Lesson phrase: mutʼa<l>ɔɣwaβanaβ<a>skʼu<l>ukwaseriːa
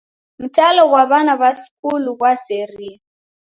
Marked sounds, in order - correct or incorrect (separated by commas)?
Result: correct, correct, correct